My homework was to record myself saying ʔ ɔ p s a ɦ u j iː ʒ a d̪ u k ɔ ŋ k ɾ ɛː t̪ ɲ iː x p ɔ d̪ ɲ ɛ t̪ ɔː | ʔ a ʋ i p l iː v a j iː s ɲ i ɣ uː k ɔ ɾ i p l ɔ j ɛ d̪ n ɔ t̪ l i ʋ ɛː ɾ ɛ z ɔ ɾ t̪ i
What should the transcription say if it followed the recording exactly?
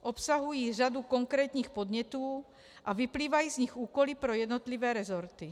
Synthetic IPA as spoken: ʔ ɔ p s a ɦ u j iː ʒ a d̪ u k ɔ ŋ k ɾ ɛː t̪ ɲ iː x p ɔ d̪ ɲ ɛ t̪ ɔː | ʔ a ʋ i p l iː ʋ a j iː z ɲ i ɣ uː k ɔ l i p ɾ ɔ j ɛ d̪ n ɔ t̪ l i ʋ ɛː ɾ ɛ z ɔ ɾ t̪ i